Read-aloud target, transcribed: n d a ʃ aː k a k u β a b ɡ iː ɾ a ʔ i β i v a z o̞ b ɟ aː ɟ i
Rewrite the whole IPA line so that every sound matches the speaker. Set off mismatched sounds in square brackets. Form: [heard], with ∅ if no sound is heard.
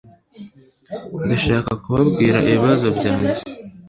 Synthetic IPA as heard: n d a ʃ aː k a k u β a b ɡ iː ɾ a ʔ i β i [β] a z o̞ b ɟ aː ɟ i